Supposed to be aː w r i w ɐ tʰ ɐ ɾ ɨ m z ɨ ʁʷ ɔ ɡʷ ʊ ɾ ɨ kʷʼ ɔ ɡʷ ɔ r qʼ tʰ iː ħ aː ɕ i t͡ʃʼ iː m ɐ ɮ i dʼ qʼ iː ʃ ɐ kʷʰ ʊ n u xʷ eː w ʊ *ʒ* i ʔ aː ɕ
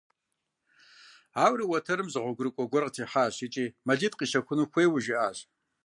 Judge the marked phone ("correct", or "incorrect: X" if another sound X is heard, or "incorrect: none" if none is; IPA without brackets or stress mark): correct